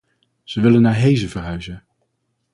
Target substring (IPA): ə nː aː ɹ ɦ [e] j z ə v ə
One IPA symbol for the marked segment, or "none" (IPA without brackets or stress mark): e